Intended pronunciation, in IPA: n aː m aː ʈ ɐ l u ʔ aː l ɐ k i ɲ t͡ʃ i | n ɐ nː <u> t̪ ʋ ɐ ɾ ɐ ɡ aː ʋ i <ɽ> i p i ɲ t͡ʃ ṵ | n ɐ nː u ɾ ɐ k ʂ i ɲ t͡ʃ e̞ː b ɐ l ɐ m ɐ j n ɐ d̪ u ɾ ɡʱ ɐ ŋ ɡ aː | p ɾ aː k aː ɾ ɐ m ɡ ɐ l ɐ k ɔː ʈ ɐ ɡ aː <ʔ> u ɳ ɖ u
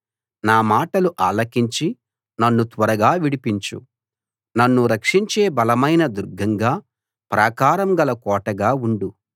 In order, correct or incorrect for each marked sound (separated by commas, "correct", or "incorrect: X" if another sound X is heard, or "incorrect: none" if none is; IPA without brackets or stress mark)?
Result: correct, correct, incorrect: none